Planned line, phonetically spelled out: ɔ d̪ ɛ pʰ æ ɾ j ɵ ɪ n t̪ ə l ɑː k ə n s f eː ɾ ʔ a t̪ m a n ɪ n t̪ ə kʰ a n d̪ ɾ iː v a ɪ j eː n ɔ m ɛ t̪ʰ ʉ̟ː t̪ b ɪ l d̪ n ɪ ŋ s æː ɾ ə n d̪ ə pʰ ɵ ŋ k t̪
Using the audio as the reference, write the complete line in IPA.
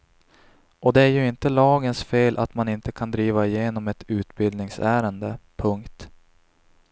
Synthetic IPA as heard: ɔ d̪ ɛ æ ɾ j ɵ ɪ n t̪ ə l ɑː ɡ ə n s f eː l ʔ a t̪ m a n ɪ n t̪ ə kʰ a n d̪ ɾ iː v a ɪ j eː n ɔ m ɛ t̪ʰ ʉ̟ː t̪ b ɪ l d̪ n ɪ ŋ s æː ɾ ə n d̪ ə pʰ ɵ ŋ k t̪